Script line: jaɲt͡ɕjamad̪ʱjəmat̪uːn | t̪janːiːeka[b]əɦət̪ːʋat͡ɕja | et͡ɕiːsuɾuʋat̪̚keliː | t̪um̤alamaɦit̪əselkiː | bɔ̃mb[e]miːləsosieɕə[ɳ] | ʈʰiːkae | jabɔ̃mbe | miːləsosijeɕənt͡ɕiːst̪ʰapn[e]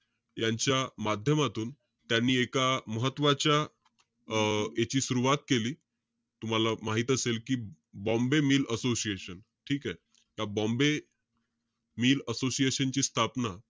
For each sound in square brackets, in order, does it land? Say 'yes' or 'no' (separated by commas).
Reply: no, yes, no, no